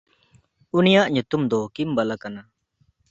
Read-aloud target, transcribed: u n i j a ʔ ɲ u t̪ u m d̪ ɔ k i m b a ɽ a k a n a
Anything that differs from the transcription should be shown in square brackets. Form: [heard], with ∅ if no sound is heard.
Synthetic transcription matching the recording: u n i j a ʔ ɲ u t̪ u m d̪ ɔ k i m b a [l] a k a n a